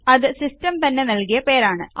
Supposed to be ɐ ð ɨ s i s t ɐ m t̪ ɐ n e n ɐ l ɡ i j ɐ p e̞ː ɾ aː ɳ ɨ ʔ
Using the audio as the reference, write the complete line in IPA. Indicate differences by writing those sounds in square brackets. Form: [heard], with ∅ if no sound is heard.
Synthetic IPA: ɐ ð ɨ s i s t ɐ m t̪ ɐ [nː] e n ɐ l [k] i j ɐ p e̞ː ɾ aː ɳ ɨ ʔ